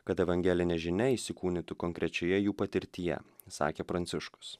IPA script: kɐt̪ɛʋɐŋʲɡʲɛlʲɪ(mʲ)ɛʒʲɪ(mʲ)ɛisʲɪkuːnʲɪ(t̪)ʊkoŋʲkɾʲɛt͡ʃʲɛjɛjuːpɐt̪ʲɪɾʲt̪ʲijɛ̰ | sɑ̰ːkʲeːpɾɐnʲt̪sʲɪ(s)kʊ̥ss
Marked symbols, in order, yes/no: no, no, yes, no

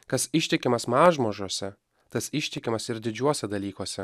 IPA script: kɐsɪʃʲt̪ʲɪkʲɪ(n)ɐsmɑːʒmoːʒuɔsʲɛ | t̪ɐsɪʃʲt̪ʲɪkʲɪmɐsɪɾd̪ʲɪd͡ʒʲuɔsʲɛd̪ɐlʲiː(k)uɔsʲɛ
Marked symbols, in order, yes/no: no, yes

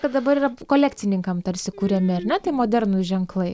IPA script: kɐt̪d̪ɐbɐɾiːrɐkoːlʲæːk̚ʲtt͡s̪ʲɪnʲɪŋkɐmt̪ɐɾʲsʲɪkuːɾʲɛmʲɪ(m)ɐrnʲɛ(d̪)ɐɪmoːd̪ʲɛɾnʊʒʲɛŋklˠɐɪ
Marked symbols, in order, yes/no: no, no

